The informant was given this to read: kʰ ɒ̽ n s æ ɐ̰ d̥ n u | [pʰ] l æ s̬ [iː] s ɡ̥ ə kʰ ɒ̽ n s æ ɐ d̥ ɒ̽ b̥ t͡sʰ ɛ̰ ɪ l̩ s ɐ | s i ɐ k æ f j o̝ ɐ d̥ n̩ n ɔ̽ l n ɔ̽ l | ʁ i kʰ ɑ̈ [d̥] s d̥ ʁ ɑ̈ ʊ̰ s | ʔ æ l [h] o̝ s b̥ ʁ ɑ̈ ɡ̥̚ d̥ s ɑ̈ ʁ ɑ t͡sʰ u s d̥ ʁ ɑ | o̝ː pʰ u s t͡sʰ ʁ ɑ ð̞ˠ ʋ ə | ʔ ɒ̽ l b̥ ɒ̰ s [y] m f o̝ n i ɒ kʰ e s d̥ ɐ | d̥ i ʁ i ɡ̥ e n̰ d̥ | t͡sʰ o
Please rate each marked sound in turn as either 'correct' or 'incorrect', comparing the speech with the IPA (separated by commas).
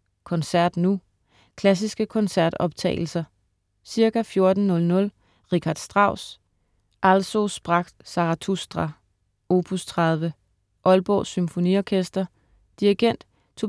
incorrect, incorrect, correct, incorrect, correct